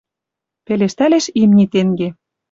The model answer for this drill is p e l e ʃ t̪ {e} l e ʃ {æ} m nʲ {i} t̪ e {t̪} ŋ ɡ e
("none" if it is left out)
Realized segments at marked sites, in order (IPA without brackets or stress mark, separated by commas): æ, i, i, none